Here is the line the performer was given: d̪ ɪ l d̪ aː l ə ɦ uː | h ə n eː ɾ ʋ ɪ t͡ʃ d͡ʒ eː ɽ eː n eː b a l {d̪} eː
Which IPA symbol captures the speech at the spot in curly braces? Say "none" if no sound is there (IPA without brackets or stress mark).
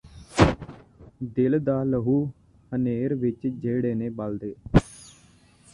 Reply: d̪